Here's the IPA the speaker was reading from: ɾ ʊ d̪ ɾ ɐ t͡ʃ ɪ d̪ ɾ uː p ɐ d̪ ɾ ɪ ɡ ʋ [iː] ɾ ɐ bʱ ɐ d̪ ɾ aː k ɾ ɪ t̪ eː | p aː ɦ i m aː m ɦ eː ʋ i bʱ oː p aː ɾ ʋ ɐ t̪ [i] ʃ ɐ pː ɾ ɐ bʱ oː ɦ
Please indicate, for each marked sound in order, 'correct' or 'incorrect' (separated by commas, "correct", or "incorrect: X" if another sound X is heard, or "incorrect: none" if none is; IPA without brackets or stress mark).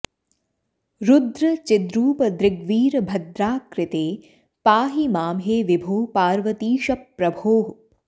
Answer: correct, incorrect: iː